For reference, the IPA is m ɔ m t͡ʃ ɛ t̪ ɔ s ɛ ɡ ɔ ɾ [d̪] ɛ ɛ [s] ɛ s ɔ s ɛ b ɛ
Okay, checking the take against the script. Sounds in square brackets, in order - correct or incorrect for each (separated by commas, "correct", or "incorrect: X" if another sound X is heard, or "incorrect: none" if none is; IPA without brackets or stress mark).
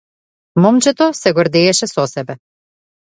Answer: correct, incorrect: ʃ